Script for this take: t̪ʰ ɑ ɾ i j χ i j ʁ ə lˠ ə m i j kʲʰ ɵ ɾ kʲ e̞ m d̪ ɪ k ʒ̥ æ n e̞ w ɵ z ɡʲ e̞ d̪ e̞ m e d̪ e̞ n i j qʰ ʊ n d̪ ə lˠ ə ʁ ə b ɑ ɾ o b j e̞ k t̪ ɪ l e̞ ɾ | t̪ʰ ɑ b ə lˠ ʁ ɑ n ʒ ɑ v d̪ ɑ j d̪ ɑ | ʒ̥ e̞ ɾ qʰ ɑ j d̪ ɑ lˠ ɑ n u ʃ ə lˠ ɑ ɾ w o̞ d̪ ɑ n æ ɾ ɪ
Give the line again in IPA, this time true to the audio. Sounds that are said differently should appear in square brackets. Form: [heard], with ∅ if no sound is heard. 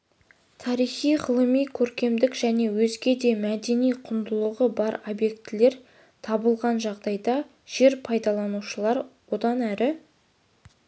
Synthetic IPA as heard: t̪ʰ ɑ ɾ i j χ i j ʁ ə lˠ ə m i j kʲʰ ɵ ɾ kʲ e̞ m d̪ ɪ k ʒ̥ æ n e̞ w ɵ z ɡʲ e̞ d̪ e̞ m [æ] d̪ e̞ n i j qʰ ʊ n d̪ ə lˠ ə ʁ ə b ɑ ɾ o b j e̞ k t̪ ɪ l e̞ ɾ | t̪ʰ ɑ b ə lˠ ʁ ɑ n ʒ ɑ [ʁ] d̪ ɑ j d̪ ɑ | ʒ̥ e̞ ɾ [pʰ] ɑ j d̪ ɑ lˠ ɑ n u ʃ ə lˠ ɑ ɾ w o̞ d̪ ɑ n æ ɾ ɪ